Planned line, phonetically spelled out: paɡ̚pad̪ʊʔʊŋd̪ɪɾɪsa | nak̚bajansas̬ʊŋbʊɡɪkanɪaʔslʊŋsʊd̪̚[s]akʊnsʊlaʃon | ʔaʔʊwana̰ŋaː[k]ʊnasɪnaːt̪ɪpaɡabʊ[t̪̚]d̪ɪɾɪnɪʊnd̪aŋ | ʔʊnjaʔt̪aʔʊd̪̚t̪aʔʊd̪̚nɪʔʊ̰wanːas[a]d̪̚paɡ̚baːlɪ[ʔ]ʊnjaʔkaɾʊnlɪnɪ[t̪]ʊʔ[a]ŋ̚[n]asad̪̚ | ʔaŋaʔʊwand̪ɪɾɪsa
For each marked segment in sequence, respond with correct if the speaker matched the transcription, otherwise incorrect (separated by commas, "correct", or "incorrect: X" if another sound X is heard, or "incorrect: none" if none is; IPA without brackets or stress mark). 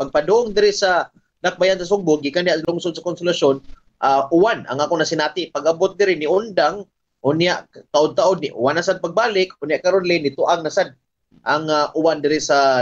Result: correct, correct, correct, correct, incorrect: k, correct, correct, correct